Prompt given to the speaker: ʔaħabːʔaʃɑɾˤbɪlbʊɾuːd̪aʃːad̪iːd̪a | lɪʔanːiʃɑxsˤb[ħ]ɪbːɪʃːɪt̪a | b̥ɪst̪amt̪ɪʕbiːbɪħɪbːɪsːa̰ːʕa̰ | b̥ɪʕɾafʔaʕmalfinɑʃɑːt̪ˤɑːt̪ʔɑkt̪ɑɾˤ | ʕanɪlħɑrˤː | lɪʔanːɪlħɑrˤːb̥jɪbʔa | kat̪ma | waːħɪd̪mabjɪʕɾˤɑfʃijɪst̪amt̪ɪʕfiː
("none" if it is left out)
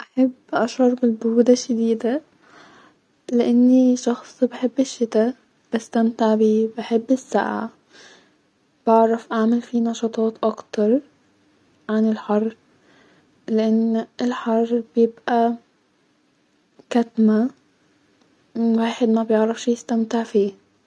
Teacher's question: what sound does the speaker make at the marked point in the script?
ħ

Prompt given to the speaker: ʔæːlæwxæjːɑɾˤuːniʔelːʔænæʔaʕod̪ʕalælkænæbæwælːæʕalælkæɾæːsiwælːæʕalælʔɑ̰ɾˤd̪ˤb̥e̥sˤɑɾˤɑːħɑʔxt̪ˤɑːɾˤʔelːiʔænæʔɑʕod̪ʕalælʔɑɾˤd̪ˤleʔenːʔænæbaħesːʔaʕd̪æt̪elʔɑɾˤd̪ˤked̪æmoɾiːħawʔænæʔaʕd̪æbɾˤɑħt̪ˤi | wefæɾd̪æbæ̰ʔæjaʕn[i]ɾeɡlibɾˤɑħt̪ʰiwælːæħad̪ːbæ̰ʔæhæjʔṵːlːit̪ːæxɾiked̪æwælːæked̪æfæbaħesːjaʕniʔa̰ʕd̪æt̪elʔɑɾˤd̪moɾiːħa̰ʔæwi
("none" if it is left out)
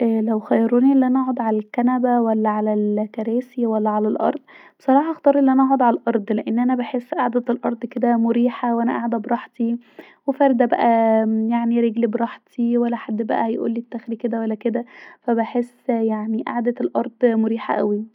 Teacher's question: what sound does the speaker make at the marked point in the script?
i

